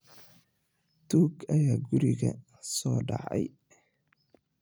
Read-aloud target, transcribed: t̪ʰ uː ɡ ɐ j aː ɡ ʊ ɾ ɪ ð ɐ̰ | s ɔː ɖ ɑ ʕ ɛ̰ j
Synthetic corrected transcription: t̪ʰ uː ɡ ɐ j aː ɡ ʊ ɾ ɪ ɣ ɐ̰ | s ɔː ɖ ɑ ʕ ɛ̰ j